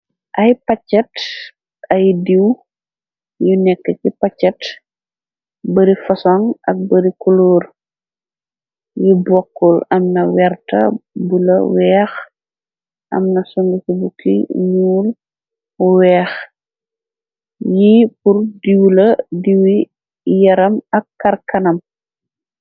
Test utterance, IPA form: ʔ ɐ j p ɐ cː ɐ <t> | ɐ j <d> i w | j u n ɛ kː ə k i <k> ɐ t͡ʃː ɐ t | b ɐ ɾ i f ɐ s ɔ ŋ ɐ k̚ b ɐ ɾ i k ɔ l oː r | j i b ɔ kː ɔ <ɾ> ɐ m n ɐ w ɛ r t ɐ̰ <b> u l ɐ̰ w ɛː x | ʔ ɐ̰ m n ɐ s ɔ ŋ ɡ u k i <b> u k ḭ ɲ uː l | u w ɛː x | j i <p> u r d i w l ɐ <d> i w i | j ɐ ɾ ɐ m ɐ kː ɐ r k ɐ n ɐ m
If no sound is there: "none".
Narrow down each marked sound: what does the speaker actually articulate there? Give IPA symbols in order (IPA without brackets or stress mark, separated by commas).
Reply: t, d, p, l, b, b, p, d